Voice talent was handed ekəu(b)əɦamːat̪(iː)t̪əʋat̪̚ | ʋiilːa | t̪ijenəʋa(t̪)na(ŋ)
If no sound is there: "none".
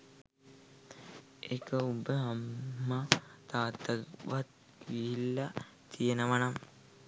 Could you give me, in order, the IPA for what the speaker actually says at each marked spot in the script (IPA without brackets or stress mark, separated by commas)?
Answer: b, aː, none, m